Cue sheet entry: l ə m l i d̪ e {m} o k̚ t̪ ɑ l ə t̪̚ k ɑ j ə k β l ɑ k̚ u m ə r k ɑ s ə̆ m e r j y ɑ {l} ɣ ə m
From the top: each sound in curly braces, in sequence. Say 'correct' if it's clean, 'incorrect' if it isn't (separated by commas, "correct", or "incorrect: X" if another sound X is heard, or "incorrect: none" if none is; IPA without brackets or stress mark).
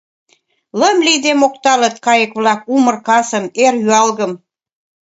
correct, correct